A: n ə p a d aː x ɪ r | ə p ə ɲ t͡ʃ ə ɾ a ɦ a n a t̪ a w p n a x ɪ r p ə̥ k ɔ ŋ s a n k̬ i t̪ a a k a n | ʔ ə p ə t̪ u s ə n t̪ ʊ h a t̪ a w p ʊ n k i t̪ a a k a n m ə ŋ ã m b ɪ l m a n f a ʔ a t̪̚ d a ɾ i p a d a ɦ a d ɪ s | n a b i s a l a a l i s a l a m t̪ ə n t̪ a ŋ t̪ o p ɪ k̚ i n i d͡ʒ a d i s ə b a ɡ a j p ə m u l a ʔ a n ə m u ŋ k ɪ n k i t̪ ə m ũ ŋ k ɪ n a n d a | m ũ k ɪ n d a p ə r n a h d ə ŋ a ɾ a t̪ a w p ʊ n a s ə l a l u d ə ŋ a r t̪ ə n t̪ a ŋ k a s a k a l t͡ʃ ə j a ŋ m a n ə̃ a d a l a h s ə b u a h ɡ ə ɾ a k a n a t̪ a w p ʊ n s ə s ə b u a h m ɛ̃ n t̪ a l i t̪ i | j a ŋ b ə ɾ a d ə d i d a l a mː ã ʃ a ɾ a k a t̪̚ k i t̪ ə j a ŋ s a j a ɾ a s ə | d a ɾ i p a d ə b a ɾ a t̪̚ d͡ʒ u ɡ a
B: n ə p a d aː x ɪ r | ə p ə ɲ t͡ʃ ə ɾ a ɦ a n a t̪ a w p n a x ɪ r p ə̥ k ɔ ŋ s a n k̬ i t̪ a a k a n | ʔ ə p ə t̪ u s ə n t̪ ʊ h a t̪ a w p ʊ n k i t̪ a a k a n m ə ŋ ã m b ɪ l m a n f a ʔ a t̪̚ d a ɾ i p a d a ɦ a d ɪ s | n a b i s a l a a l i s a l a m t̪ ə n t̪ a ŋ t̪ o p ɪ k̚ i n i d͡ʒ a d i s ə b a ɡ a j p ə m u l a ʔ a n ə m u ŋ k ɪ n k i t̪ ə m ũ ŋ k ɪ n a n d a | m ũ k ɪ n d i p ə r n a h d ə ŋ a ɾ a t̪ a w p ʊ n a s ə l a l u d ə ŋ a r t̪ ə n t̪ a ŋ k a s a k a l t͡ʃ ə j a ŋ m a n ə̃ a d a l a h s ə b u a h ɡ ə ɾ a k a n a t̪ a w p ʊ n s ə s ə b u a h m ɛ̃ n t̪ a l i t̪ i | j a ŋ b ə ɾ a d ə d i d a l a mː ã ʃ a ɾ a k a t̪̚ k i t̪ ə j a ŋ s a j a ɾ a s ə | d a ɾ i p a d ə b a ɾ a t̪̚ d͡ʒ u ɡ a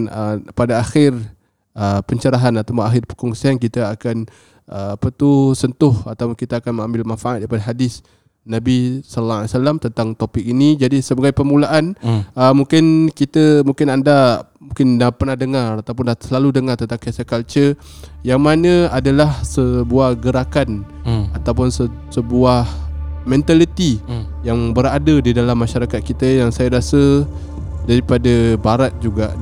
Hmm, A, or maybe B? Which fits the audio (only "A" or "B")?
A